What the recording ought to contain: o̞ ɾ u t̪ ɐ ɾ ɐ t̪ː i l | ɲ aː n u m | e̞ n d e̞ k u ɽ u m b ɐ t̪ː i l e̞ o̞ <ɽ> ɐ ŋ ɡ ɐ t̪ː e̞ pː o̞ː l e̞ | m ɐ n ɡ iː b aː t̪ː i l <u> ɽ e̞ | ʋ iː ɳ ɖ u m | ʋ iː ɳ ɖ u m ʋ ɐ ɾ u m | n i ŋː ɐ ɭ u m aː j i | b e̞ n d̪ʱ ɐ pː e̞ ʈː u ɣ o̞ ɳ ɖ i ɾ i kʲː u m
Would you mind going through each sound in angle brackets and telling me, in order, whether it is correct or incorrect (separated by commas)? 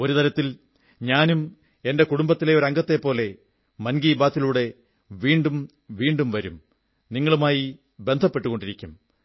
incorrect, incorrect